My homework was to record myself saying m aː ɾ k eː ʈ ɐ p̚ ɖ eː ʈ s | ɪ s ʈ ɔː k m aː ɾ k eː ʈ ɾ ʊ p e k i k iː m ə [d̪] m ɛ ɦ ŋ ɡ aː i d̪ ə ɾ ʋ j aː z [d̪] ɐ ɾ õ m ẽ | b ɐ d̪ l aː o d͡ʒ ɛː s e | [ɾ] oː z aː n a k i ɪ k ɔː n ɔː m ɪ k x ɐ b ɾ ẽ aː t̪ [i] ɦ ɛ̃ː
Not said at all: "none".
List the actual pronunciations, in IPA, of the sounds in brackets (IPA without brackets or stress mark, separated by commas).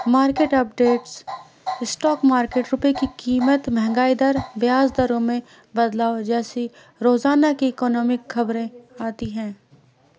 t̪, d̪, ɾ, i